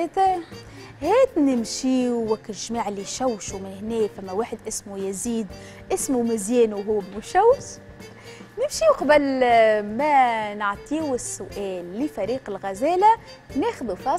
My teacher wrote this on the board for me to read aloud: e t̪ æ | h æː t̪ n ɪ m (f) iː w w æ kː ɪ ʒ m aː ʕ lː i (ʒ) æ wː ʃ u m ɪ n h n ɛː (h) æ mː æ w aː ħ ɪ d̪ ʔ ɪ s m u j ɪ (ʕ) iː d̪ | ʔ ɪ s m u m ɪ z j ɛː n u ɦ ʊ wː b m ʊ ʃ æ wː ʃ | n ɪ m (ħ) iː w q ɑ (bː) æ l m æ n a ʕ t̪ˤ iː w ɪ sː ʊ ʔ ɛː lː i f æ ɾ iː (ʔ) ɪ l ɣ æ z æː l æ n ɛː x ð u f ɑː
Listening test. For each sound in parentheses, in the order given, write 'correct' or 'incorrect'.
incorrect: ʃ, incorrect: ʃ, incorrect: f, incorrect: z, incorrect: ʃ, incorrect: b, incorrect: q

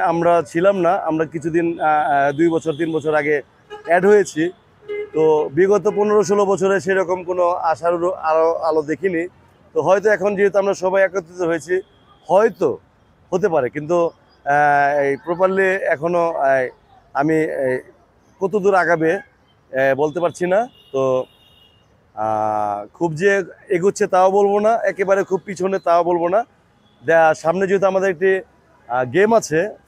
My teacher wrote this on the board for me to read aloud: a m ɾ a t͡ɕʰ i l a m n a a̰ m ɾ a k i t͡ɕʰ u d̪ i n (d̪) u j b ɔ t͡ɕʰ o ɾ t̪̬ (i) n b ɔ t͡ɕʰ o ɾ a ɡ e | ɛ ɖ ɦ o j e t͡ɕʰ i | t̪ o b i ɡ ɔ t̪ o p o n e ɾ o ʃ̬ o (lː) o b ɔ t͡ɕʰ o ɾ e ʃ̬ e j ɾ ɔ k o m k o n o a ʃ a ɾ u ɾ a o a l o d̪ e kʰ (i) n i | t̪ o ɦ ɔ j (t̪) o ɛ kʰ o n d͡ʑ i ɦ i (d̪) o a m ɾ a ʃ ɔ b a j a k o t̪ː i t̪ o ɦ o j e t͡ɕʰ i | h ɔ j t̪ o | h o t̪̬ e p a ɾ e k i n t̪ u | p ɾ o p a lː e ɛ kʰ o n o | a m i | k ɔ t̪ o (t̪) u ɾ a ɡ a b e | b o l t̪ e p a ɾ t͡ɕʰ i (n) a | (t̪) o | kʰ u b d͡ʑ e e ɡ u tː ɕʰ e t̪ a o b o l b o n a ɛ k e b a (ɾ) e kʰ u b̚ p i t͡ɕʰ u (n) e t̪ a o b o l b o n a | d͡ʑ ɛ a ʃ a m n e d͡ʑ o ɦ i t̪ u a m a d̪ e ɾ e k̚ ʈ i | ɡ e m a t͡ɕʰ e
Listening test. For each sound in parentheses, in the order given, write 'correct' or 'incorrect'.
correct, correct, incorrect: l, correct, correct, incorrect: t̪, incorrect: d̪, correct, correct, correct, correct

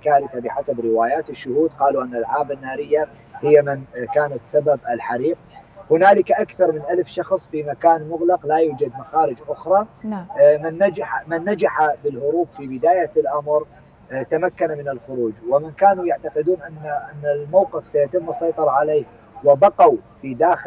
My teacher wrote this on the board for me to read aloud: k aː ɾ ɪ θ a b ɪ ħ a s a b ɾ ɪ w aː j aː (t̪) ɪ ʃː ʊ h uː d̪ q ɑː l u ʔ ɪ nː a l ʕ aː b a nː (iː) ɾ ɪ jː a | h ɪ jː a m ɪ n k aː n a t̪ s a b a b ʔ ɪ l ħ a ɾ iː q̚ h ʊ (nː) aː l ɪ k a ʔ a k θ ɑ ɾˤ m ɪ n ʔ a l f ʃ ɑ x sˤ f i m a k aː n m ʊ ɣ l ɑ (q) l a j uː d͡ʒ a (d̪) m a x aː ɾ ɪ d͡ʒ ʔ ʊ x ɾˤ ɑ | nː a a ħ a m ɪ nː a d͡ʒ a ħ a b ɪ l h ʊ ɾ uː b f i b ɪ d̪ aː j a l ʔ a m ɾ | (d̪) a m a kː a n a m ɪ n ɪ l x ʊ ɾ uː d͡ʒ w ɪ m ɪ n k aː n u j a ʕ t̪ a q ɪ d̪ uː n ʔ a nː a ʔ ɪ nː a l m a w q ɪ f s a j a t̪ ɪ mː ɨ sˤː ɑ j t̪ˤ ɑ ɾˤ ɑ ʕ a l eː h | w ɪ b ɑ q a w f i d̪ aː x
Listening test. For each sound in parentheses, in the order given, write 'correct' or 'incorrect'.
correct, incorrect: aː, incorrect: n, correct, correct, incorrect: t̪

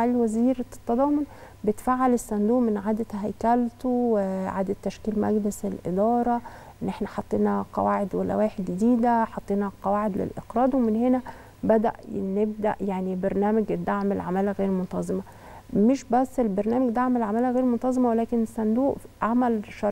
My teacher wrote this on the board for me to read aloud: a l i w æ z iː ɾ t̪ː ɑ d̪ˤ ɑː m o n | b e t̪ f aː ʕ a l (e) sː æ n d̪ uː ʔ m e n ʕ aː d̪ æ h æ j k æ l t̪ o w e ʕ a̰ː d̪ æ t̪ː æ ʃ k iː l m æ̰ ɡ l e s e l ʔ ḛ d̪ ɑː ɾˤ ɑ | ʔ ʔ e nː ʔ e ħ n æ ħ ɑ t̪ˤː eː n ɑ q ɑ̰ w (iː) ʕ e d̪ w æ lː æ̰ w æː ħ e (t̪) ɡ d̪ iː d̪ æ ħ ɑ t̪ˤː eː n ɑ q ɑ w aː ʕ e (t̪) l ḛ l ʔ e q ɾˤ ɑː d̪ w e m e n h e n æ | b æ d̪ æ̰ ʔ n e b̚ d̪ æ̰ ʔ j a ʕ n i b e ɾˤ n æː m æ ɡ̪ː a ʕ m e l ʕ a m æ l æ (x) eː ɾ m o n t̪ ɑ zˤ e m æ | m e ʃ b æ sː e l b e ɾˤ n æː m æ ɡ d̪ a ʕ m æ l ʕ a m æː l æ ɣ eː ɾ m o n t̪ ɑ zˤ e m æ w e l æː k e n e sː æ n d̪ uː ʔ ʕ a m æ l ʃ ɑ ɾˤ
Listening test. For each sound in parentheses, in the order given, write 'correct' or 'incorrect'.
correct, incorrect: aː, incorrect: d̪, incorrect: d̪, incorrect: ɣ

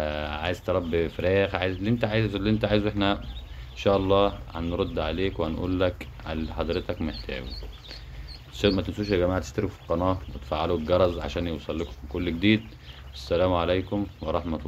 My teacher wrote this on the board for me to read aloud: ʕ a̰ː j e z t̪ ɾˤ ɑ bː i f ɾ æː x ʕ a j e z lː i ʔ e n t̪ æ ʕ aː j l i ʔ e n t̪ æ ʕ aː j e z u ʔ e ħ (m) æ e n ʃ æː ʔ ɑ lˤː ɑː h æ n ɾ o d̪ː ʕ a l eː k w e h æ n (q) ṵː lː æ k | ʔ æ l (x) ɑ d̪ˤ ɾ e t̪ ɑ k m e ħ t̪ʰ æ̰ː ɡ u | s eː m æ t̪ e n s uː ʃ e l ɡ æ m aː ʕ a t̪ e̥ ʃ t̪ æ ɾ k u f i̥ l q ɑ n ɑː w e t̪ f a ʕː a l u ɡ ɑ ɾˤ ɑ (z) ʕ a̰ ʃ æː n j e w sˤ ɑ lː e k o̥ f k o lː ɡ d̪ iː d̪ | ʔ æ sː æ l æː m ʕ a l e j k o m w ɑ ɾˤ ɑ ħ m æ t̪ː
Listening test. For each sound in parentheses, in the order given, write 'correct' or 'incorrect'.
incorrect: n, incorrect: ʔ, incorrect: ħ, correct

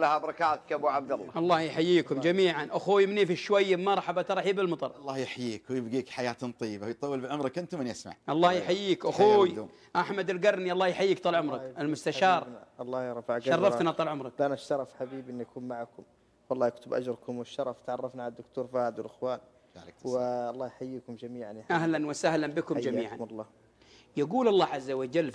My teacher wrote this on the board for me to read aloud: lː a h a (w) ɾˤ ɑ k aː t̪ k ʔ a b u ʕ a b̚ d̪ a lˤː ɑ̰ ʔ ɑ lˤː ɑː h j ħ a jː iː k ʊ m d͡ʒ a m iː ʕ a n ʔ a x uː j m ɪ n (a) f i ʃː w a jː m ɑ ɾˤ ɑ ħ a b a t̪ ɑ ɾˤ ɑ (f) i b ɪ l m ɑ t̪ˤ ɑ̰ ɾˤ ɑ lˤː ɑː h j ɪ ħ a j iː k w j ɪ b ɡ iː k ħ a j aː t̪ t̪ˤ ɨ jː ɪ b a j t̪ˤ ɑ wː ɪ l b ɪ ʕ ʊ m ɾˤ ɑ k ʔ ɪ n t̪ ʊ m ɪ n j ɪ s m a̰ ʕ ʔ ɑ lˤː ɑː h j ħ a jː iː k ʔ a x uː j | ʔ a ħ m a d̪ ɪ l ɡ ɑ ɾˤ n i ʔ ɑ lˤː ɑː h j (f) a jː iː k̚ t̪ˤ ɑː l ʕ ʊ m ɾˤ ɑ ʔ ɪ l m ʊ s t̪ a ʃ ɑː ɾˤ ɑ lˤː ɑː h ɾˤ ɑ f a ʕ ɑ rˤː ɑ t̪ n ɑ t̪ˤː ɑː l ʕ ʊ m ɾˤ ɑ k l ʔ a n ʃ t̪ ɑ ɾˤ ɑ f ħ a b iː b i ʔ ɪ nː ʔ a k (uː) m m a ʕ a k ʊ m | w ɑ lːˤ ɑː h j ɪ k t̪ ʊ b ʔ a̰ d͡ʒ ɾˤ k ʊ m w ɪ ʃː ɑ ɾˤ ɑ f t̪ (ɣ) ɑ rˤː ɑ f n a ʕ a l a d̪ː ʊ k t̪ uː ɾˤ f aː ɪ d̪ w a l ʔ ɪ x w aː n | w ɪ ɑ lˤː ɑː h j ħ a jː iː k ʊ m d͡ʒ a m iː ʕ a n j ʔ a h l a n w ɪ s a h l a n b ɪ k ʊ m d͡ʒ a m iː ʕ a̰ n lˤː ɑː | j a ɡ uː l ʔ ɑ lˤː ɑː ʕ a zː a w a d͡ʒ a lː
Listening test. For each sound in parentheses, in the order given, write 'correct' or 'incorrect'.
incorrect: b, incorrect: i, incorrect: ħ, incorrect: ħ, correct, incorrect: ʕ

